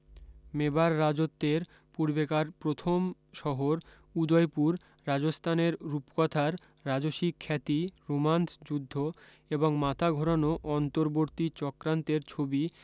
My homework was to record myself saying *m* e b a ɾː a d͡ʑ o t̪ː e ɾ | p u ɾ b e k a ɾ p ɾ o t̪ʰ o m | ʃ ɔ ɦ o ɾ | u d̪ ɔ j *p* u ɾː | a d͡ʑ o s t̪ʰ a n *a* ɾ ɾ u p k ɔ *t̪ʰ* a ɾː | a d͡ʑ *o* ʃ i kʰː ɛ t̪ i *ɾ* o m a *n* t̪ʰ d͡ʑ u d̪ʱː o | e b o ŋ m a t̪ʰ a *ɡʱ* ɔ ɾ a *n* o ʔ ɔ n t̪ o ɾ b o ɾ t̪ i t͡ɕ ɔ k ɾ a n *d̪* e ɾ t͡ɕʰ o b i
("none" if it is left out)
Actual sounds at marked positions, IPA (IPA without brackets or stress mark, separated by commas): m, p, e, t̪ʰ, o, ɾ, n, ɡʱ, n, t̪